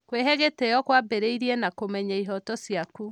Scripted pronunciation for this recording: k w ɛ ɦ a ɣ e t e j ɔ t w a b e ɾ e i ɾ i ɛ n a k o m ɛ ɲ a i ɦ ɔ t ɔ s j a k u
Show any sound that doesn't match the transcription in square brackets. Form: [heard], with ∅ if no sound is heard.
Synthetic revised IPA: k w [e] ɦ [ɛ] ɣ e t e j ɔ [k] w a b e ɾ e i ɾ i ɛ n a k o m ɛ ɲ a i ɦ ɔ t ɔ s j a k u

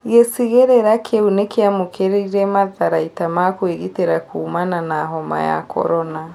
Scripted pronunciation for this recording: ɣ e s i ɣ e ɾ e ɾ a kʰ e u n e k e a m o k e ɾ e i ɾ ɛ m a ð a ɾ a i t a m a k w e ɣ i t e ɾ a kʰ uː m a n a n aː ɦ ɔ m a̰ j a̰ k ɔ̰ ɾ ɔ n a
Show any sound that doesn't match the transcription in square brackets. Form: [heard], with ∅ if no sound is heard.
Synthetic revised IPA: ɣ e s i ɣ e ɾ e ɾ a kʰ e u n e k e a m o k e ɾ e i ɾ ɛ m a ð a ɾ a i t a m a k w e ɣ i t e ɾ a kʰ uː m a n a n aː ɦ ɔ m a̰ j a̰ k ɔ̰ ɾ ɔ n a

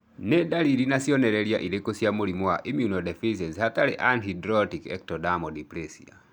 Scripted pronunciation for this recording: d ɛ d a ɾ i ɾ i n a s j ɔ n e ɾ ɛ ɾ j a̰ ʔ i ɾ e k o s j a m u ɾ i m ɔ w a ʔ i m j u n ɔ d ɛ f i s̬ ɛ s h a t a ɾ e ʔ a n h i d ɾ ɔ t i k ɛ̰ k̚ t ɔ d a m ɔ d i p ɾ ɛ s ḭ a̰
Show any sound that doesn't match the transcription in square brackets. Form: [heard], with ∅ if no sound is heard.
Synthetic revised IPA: [n] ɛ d a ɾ i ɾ i n a s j ɔ n [ɛ] ɾ ɛ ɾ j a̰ ʔ i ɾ e k o s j a m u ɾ i m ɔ w a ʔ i m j u n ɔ d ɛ f i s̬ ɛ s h a t a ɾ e ʔ a n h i d ɾ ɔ t i k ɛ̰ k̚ t ɔ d a m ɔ d i p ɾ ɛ s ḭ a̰

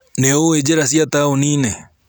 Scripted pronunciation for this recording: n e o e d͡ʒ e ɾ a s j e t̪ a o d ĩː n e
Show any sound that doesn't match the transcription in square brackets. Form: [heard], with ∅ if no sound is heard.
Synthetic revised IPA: n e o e d͡ʒ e ɾ a s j [a] t̪ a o [n] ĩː n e

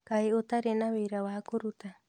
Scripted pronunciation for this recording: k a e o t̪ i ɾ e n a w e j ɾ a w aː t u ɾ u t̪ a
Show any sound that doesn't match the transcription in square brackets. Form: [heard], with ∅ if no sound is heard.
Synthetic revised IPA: k a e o t̪ [a] ɾ e n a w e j ɾ a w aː [k] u ɾ u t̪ a

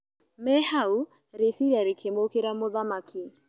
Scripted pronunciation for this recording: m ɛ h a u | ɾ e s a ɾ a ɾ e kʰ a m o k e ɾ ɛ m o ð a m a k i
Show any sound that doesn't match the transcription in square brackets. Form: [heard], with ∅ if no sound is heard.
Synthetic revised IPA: m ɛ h a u | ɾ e s [i] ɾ a ɾ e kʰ [e] m o k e ɾ [a] m o ð a m a k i

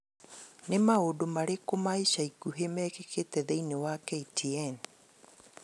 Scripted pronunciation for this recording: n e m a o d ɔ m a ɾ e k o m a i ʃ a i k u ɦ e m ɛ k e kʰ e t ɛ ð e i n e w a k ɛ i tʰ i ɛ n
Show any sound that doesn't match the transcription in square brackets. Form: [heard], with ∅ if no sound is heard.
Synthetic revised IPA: n e m a o d [o] m a ɾ e k o m a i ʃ a i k u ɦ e m ɛ k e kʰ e t ɛ ð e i n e w a k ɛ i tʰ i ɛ n

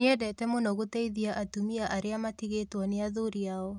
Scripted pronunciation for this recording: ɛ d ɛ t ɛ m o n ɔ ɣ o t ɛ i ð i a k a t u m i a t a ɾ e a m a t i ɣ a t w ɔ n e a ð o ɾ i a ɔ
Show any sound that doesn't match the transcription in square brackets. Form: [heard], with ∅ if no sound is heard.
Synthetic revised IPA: ɛ d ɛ t ɛ m o n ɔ ɣ o t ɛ i ð i a [ʔ] a t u m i a [ʔ] a ɾ e a m a t i ɣ [e] t w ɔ n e a ð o ɾ i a ɔ

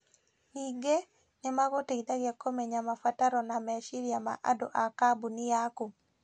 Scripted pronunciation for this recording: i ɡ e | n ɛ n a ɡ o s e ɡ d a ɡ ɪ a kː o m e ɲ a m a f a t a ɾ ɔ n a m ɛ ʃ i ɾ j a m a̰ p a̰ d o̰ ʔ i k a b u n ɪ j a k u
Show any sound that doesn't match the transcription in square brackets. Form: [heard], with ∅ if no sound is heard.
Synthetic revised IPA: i ɡ e | n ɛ [m] a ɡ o [t] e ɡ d a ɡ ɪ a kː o m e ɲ a m a f a t a ɾ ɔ n a m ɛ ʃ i ɾ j a m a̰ [ʔ] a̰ d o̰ ʔ [a] k a b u n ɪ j a k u

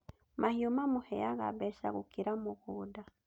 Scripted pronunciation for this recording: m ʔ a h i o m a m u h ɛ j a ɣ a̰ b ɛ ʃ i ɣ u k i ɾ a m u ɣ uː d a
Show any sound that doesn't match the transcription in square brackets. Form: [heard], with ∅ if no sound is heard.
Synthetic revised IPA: m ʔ a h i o m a m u h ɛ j a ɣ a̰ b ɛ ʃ [a] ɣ u k i ɾ a m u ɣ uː d a

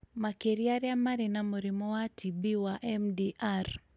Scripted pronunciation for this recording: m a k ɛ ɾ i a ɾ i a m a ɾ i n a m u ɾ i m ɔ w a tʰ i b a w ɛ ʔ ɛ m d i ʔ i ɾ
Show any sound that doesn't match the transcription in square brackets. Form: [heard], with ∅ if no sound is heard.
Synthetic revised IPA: m a k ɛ ɾ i a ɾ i a m a ɾ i n a m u ɾ i m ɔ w a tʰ i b [i] w [a] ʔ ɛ m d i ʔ [a] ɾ

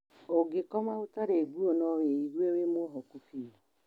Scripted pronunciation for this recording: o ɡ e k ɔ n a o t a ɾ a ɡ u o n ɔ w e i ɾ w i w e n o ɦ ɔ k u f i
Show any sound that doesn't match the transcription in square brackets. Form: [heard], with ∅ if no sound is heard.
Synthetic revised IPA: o ɡ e k ɔ [m] a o t a ɾ [e] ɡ u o n ɔ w e i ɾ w [e] w e [m] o ɦ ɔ k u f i

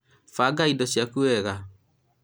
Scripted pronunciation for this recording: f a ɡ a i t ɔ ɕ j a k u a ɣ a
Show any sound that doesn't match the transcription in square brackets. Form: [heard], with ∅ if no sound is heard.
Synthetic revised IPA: f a ɡ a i [d] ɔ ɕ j a k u [ɛ] ɣ a

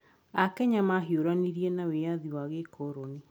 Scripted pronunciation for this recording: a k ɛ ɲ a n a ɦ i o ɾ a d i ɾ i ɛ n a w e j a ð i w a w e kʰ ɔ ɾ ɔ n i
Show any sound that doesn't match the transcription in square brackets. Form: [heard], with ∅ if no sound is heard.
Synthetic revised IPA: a k ɛ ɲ a [m] a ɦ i o ɾ a [n] i ɾ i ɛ n a w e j a ð i w a [ɣ] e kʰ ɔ ɾ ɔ n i

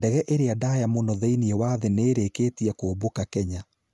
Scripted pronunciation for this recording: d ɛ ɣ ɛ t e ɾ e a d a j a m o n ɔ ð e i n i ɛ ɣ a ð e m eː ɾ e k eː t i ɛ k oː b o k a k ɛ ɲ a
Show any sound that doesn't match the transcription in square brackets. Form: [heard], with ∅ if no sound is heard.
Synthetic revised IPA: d ɛ ɣ ɛ [ʔ] e ɾ e a d a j a m o n ɔ ð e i n i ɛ [w] a ð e [n] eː ɾ e k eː t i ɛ k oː b o k a k ɛ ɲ a

